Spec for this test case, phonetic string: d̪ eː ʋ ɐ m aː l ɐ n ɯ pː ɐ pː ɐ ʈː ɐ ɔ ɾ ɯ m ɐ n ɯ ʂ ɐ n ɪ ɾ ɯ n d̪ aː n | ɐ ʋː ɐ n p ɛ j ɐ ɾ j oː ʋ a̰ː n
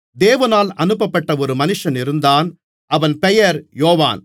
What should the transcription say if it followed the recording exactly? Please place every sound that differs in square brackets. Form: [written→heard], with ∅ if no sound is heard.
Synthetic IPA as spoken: d̪ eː ʋ ɐ [m→n] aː l ɐ n ɯ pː ɐ pː ɐ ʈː ɐ ɔ ɾ ɯ m ɐ n ɯ ʂ ɐ n ɪ ɾ ɯ n d̪ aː n | ɐ [ʋː→ʋ] ɐ n p ɛ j ɐ ɾ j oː ʋ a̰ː n